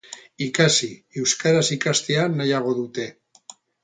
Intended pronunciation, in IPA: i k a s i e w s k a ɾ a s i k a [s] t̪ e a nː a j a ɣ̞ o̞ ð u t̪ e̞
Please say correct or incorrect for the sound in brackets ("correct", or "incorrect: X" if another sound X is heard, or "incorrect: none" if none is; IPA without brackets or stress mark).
correct